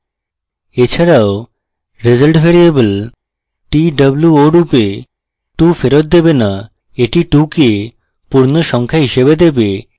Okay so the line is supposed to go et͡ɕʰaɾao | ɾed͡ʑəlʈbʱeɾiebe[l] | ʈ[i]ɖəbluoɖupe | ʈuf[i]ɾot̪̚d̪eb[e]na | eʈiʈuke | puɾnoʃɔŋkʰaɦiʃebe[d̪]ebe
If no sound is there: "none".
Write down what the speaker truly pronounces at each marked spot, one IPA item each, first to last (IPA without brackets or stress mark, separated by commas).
l, i, e, e, d̪